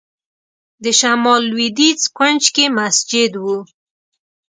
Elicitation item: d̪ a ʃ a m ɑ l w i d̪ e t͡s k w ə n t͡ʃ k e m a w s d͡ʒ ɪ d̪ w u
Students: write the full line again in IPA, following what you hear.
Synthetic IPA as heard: d̪ ə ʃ a m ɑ l w i d̪ i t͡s k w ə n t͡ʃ k e m a s d͡ʒ ɪ d̪ w u